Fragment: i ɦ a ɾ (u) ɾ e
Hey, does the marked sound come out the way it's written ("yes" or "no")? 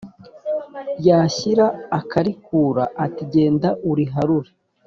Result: yes